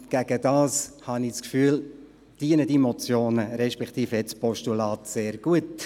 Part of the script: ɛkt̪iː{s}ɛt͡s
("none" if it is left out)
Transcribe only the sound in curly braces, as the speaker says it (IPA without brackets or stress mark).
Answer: f